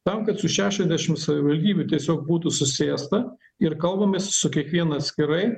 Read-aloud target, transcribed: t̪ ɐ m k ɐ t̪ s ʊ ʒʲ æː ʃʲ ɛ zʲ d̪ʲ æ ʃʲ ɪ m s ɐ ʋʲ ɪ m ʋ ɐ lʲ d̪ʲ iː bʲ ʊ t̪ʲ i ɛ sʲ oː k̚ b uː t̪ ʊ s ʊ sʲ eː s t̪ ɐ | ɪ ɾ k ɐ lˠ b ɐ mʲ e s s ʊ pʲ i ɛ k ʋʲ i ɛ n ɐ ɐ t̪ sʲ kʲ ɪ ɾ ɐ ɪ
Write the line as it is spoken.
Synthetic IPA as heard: t̪ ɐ m k ɐ t̪ s ʊ ʃʲ æː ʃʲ ɛ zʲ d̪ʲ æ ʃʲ ɪ m s ɐ ʋʲ ɪ ʋ ɐ lʲ d̪ʲ iː bʲ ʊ t̪ʲ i ɛ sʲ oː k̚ b uː t̪ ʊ s ʊ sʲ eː s t̪ ɐ | ɪ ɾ k ɐ lˠ b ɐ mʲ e s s ʊ kʲ i ɛ k ʋʲ i ɛ n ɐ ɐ t̪ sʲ kʲ ɪ ɾ ɐ ɪ